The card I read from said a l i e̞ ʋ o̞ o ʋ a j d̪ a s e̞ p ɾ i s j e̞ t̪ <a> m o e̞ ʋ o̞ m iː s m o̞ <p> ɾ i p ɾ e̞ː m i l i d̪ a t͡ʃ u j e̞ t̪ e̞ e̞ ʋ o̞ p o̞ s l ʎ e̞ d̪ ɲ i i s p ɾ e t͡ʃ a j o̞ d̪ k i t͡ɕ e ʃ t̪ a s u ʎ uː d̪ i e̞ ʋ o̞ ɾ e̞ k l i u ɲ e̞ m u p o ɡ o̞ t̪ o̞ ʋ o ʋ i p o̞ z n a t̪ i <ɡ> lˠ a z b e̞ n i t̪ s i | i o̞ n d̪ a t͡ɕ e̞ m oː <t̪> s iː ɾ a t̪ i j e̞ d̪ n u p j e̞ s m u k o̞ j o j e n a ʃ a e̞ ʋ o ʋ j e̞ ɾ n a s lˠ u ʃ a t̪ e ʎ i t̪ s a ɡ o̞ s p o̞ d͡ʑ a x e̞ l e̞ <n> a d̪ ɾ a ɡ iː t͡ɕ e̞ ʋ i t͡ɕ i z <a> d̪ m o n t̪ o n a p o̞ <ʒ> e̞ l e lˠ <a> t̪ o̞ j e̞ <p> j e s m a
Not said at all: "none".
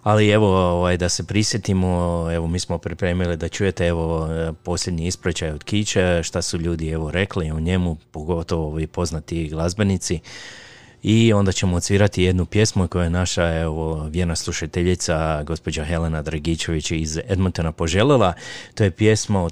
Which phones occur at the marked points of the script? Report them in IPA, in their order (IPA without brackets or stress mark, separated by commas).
i, p, ɡ, t̪, n, e, ʒ, a, p